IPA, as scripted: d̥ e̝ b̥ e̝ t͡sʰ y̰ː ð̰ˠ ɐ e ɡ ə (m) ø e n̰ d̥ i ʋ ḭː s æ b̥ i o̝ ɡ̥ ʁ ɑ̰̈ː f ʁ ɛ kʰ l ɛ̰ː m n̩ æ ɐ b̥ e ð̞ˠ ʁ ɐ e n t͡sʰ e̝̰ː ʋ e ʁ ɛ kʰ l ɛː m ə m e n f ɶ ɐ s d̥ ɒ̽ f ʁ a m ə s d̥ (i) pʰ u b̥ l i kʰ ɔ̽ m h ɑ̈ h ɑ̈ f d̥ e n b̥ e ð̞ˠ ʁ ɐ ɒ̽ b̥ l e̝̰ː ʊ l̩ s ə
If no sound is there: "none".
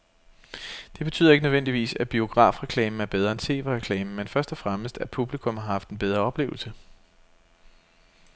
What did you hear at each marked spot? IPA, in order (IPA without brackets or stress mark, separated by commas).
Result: n, æ